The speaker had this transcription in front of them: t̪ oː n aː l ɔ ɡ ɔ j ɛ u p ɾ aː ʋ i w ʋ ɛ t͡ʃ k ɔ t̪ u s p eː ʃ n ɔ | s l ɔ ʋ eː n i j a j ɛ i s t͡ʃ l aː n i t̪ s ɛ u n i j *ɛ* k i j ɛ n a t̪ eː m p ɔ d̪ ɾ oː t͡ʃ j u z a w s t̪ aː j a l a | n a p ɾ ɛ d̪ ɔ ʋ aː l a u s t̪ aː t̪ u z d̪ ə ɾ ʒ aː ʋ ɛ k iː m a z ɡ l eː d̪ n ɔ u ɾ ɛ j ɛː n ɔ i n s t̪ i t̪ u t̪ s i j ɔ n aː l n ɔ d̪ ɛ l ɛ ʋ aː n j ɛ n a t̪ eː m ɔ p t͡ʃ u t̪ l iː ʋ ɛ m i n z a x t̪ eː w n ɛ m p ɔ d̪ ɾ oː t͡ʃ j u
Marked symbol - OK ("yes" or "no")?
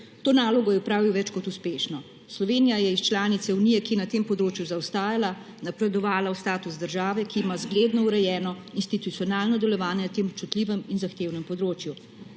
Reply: yes